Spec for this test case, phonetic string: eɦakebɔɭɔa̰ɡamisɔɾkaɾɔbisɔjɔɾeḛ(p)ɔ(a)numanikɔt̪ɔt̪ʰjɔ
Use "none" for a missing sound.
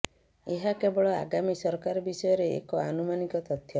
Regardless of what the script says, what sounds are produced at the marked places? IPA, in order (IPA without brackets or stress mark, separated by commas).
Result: k, a